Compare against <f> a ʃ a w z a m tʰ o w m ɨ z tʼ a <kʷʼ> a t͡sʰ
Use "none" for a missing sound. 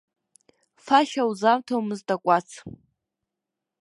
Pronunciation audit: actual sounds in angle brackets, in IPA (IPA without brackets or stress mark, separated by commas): f, kʷʼ